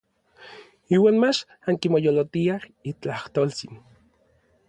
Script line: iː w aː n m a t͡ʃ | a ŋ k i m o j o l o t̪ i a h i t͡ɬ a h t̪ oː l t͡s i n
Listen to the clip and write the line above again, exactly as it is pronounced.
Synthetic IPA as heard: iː w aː n m a t͡ʃ | a ŋ k i m o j o l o t̪ i a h i t͡ɬ a h t̪ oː l t͡s i n

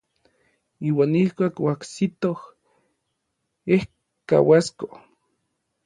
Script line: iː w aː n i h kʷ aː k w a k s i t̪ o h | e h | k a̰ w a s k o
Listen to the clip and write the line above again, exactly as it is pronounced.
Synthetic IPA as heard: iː w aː n i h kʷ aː k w a k s i t̪ o h | e h | k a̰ w a s k o

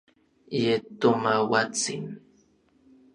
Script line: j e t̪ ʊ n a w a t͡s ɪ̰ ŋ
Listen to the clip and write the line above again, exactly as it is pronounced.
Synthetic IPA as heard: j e t̪ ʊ m a w a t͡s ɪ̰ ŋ

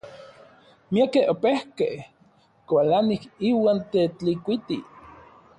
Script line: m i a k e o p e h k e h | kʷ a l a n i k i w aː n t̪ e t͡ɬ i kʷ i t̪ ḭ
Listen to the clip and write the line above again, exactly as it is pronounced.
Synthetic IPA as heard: m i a k e o p e h k e h | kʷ a l a n i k i w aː n t̪ e t͡ɬ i kʷ i t̪ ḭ

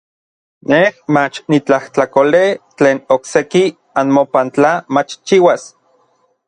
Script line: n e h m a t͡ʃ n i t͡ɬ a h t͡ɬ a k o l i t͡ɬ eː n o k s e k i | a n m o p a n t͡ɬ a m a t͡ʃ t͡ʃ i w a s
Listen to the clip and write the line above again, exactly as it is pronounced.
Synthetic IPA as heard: n e h m a t͡ʃ n i t͡ɬ a h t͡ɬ a k o l e t͡ɬ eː n o k s e k i | a n m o p a n t͡ɬ a m a t͡ʃ t͡ʃ i w a s

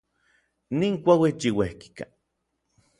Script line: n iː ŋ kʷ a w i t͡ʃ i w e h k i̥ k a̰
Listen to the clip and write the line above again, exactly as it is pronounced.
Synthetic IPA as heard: n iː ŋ kʷ a w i t͡ʃ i w e h k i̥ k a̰

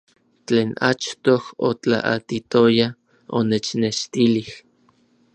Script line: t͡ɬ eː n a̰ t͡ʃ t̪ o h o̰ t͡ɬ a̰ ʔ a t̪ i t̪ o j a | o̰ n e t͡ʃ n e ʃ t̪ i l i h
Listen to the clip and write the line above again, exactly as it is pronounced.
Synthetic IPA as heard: t͡ɬ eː n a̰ t͡ʃ t̪ o h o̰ t͡ɬ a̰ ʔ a t̪ i t̪ o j a | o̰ n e t͡ʃ n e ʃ t̪ i l i h

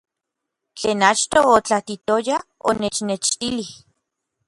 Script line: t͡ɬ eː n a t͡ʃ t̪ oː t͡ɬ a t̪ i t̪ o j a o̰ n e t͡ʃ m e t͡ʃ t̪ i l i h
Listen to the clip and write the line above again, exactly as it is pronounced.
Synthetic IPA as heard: t͡ɬ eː n a t͡ʃ t̪ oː t͡ɬ a t̪ i t̪ o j a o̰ n e t͡ʃ n e t͡ʃ t̪ i l i h

